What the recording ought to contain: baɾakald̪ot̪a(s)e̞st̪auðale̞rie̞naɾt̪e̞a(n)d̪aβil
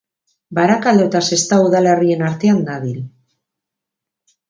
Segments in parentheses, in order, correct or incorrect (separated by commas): correct, correct